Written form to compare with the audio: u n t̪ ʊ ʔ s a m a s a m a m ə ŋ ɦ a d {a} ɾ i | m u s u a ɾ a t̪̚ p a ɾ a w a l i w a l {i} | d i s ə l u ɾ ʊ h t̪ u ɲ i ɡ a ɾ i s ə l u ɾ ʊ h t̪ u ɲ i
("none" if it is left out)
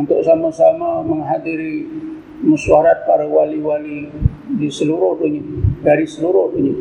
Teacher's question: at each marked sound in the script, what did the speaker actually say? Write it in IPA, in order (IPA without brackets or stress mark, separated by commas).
i, i